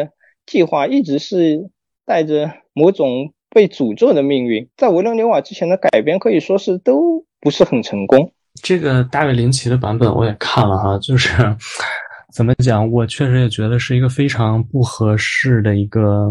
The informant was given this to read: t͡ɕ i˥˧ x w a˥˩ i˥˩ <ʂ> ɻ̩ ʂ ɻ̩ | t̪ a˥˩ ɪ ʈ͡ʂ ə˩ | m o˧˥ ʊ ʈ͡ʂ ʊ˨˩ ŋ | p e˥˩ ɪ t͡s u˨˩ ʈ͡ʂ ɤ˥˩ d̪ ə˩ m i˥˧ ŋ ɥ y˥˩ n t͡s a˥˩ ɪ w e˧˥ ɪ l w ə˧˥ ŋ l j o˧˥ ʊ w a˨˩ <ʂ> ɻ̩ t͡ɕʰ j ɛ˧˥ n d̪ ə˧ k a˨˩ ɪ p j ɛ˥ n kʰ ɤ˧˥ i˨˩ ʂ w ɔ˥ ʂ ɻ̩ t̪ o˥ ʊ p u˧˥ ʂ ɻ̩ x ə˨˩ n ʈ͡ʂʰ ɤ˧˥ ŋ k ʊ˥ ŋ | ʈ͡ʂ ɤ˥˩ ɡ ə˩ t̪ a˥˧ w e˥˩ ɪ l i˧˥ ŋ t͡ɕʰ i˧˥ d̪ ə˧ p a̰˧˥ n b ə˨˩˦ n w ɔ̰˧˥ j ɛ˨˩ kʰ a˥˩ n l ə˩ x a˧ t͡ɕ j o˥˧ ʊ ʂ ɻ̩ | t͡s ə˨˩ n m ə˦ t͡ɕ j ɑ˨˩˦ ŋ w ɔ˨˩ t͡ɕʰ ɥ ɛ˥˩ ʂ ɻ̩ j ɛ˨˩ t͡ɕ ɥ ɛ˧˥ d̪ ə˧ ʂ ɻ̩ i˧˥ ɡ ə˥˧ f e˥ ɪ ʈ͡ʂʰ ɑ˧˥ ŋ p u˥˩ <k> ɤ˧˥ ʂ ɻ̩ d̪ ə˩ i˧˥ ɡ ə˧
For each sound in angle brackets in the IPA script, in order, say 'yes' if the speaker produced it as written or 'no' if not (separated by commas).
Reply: no, no, no